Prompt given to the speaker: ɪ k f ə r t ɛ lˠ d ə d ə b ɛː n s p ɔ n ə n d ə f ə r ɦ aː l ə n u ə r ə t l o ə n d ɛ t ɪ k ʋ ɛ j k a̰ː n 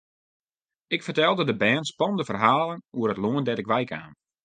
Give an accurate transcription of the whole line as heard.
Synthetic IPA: ɪ k f ə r t ɛ lˠ d ə d ə b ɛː n s p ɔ n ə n d ə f ə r ɦ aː l ə n u ə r ə t l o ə n d ɛ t ɪ k ʋ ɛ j k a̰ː n